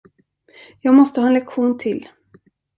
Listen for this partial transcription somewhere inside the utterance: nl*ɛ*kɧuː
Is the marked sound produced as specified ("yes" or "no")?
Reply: yes